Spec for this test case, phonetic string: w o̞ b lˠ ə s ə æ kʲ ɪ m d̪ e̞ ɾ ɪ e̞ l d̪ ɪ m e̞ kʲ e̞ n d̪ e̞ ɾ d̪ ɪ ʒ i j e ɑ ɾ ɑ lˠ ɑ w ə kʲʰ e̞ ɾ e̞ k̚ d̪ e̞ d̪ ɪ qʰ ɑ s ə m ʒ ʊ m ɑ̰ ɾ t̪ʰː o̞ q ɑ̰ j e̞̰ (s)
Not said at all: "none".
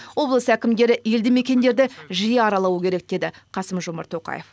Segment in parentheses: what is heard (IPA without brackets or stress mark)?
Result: f